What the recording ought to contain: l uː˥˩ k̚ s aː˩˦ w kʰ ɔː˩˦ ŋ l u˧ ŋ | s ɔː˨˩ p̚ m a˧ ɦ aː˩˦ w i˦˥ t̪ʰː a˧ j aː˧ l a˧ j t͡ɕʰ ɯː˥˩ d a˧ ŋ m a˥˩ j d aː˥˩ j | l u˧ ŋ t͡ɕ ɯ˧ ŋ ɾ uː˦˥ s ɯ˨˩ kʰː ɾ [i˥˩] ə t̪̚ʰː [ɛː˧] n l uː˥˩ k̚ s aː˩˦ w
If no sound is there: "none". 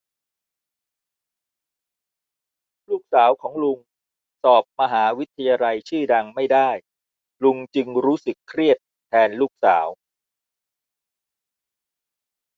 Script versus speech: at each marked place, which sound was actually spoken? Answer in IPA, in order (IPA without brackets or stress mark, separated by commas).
i˥˩, ɛː˧